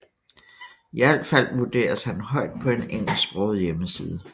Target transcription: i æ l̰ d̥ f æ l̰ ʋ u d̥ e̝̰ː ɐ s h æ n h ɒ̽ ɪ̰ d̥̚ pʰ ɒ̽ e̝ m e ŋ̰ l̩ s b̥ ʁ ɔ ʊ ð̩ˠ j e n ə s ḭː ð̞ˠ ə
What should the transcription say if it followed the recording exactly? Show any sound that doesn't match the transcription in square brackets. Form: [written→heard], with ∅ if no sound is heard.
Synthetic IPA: i æ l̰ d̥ f æ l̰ ʋ u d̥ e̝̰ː ɐ s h æ n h ɒ̽ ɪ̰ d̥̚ pʰ ɒ̽ e̝ [m→n] e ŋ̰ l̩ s b̥ ʁ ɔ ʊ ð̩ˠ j e [n→m] ə s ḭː ð̞ˠ ə